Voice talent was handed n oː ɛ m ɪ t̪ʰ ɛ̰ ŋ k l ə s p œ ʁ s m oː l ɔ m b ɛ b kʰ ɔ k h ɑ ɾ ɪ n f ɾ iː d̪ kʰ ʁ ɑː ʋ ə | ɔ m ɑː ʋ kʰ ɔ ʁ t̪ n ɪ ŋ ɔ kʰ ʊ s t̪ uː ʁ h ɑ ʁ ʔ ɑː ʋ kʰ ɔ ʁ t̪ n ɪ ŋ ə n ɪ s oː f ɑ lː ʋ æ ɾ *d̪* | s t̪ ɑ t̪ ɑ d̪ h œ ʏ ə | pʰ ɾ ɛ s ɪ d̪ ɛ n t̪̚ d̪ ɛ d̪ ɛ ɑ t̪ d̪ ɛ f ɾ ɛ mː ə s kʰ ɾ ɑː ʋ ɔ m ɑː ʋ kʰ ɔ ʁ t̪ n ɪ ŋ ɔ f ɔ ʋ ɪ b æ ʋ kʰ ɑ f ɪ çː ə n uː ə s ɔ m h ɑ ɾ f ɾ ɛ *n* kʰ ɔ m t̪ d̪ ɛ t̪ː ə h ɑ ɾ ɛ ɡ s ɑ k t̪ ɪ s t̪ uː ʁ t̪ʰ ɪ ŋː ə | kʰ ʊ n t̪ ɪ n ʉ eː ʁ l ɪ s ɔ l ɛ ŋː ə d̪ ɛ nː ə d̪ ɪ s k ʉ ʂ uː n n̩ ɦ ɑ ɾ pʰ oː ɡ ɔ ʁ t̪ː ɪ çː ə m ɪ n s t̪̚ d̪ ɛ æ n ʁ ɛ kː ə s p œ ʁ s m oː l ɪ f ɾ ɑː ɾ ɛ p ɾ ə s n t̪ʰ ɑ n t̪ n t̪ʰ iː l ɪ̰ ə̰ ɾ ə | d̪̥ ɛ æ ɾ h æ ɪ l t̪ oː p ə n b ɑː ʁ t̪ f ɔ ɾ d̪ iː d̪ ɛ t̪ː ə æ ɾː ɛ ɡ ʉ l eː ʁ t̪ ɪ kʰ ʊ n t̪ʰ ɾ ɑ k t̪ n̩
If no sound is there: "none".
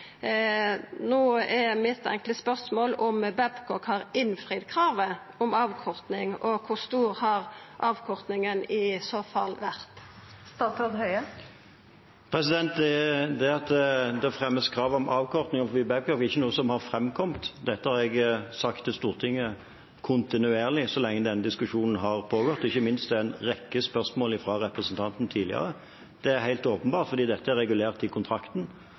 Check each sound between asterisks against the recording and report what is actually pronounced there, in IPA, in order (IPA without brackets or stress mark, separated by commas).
t̪, m